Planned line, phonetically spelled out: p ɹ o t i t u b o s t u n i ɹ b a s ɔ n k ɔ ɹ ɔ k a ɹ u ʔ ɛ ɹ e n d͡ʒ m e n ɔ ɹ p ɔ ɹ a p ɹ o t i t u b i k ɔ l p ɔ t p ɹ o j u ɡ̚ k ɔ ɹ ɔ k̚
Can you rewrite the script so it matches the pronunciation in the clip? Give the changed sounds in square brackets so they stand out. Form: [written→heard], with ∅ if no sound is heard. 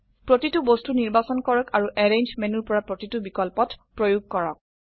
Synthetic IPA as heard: p ɹ o t i t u b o s t u n i ɹ b a s ɔ n k ɔ ɹ ɔ k a ɹ u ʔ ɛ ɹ e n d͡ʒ m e n [ɔ→u] ɹ p ɔ ɹ a p ɹ o t i t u b i k ɔ l p ɔ t p ɹ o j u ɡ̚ k ɔ ɹ ɔ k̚